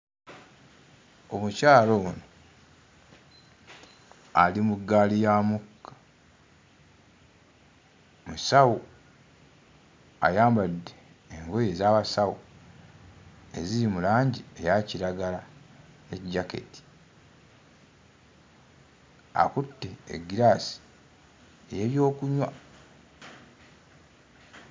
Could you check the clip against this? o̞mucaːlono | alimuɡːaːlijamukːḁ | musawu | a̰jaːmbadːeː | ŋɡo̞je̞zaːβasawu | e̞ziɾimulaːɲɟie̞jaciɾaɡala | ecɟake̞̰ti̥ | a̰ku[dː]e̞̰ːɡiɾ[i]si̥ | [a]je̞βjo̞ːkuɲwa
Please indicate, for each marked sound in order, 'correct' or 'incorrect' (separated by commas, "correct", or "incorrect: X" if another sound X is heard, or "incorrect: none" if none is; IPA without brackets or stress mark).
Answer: incorrect: tː, incorrect: a, incorrect: e